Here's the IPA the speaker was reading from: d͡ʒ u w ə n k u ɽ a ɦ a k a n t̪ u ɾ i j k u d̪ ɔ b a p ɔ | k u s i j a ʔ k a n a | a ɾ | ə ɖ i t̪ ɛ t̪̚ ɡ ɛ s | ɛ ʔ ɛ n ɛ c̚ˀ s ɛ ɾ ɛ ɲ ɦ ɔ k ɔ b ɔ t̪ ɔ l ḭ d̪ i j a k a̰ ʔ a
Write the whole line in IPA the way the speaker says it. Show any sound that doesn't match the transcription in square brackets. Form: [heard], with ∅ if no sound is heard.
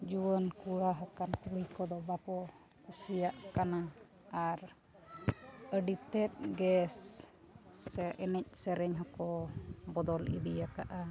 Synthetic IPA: d͡ʒ u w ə n k u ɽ a ɦ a k a n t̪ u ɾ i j k [ɔ] d̪ ɔ b a p ɔ | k u s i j a ʔ k a n a | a ɾ | ə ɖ i t̪ ɛ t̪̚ ɡ ɛ s | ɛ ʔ ɛ n ɛ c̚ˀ s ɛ ɾ ɛ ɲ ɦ ɔ k ɔ b ɔ [d̪] ɔ l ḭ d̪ i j a k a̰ ʔ a